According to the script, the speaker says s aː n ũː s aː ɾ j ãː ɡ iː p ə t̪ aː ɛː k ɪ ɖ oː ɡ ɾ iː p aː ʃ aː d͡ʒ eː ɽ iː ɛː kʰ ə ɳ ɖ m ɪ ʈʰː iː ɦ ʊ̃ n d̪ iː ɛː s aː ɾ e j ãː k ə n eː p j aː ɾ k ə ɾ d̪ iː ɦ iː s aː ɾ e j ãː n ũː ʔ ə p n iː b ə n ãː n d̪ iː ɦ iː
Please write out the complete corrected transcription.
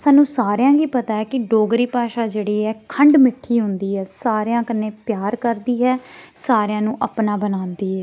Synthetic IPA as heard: s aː n ũː s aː ɾ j ãː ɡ iː p ə t̪ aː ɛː k ɪ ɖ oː ɡ ɾ iː p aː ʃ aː d͡ʒ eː ɽ iː ɛː kʰ ə ɳ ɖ m ɪ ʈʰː iː ɦ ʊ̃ n d̪ iː ɛː s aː ɾ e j ãː k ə n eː p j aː ɾ k ə ɾ d̪ iː ɦ ɛː s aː ɾ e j ãː n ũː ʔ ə p n aː b ə n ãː n d̪ iː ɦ ɛː

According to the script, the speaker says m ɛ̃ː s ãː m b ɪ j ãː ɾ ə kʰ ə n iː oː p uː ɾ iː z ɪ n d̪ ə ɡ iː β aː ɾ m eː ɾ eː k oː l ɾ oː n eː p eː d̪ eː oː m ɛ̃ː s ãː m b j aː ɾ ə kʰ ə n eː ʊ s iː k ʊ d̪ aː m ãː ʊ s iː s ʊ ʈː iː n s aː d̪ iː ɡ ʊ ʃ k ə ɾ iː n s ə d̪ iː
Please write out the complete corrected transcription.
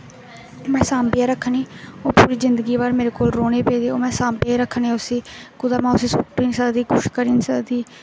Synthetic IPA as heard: m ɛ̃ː s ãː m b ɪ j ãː ɾ ə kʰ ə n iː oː p uː ɾ iː z ɪ n d̪ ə ɡ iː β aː ɾ m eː ɾ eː k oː l ɾ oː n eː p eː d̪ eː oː m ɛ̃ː s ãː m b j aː ɾ ə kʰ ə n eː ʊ s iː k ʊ d̪ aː m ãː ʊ s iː s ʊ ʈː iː n s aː d̪ iː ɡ ʊ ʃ k ə ɾ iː n s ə d̪ iː

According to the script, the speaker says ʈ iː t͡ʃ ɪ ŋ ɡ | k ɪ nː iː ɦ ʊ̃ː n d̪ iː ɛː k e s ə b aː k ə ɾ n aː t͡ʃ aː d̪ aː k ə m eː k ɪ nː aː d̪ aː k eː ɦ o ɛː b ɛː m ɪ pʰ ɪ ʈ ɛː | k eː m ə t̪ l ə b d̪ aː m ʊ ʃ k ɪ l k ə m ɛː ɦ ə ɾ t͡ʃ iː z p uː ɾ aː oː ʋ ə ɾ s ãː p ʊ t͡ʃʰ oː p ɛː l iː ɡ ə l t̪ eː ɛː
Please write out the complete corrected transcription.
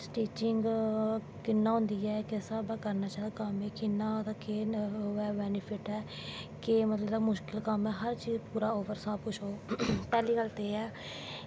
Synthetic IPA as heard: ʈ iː t͡ʃ ɪ ŋ ɡ | k ɪ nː aː ɦ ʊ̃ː n d̪ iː ɛː k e s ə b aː k ə ɾ n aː t͡ʃ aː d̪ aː k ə m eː k ɪ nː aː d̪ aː k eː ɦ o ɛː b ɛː n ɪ pʰ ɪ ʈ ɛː | k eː m ə t̪ l ə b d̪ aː m ʊ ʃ k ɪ l k ə m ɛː ɦ ə ɾ t͡ʃ iː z p uː ɾ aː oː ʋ ə ɾ s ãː p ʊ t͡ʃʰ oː p ɛː l iː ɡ ə l t̪ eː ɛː

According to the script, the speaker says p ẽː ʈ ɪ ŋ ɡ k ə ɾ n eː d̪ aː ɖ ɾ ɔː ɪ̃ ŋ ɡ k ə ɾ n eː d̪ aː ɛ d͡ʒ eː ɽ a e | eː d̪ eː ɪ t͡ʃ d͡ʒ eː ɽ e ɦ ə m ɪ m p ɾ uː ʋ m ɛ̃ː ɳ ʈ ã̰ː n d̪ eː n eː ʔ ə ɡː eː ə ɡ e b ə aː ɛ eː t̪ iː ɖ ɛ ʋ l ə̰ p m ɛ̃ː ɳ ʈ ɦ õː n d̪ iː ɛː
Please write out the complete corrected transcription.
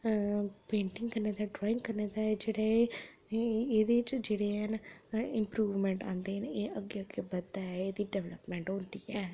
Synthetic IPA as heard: p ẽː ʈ ɪ ŋ ɡ k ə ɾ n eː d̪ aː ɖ ɾ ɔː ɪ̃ ŋ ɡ k ə ɾ n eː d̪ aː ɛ d͡ʒ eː ɽ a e | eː d̪ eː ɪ t͡ʃ d͡ʒ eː ɽ e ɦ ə n ɪ m p ɾ uː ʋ m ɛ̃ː ɳ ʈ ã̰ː n d̪ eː n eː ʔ ə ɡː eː ə ɡ e b ə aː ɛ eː d̪ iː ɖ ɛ ʋ l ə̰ p m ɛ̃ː ɳ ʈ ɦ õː n d̪ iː ɛː

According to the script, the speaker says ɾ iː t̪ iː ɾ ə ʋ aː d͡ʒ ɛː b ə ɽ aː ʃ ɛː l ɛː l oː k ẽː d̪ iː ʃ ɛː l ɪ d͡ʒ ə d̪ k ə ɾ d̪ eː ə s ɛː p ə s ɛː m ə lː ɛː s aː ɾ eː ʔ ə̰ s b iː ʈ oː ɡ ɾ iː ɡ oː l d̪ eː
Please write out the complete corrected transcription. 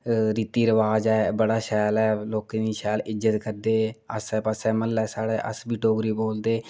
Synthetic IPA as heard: ɾ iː t̪ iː ɾ ə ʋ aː d͡ʒ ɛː b ə ɽ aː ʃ ɛː l ɛː l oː k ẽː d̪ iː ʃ ɛː l ɪ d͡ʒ ə t̪ k ə ɾ d̪ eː ə s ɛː p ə s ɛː m ə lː ɛː s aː ɽ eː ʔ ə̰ s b iː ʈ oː ɡ ɾ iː b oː l d̪ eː

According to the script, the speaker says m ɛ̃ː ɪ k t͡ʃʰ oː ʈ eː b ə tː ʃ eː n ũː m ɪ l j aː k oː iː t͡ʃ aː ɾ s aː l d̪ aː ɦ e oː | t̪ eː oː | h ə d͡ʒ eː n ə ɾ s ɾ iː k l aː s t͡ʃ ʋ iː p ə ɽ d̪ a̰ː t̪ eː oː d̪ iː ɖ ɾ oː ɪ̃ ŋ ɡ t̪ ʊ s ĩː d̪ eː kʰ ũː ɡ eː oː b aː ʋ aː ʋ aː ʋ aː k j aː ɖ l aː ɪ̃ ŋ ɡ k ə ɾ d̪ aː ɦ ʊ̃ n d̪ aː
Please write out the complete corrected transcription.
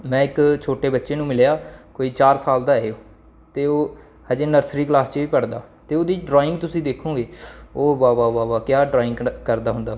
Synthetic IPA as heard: m ɛ̃ː ɪ k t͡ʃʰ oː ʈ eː b ə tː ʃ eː n ũː m ɪ l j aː k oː iː t͡ʃ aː ɾ s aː l d̪ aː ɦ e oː | t̪ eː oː | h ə d͡ʒ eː n ə ɾ s ɾ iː k l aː s t͡ʃ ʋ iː p ə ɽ d̪ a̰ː t̪ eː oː d̪ iː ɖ ɾ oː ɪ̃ ŋ ɡ t̪ ʊ s ĩː d̪ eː kʰ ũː ɡ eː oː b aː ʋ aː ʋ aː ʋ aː k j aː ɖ ɾ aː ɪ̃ ŋ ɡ k ə ɾ d̪ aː ɦ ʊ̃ n d̪ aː

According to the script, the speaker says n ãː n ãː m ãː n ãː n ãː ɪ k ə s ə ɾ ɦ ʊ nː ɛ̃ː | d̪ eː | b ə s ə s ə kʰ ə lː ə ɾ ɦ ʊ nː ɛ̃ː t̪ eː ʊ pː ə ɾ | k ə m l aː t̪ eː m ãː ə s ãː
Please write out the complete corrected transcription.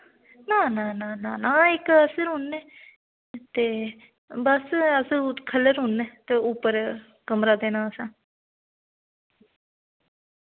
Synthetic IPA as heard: n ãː n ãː n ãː n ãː n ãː ɪ k ə s ə ɾ ɦ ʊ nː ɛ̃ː | t̪ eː | b ə s ə s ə kʰ ə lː ə ɾ ɦ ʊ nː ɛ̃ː t̪ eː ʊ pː ə ɾ | k ə m ɾ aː d̪ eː n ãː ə s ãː

